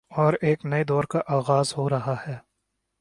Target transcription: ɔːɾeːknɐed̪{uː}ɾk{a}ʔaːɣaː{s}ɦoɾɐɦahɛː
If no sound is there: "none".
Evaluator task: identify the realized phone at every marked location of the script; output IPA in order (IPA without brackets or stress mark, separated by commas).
ɔː, a, z